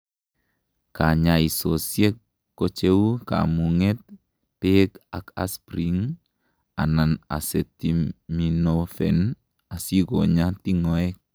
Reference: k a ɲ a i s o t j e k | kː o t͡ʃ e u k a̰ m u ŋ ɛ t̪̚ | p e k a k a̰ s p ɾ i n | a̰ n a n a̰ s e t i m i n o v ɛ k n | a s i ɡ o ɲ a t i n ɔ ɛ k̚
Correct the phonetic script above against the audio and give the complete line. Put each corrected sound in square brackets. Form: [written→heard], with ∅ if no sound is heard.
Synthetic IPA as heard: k a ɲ a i s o [t→s] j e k | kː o t͡ʃ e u k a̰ m u ŋ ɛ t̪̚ | p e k a k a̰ s p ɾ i [n→ŋ] | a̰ n a n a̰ s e t i m i n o [v→f] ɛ [k→∅] n | a s i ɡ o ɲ a t i [n→ŋ] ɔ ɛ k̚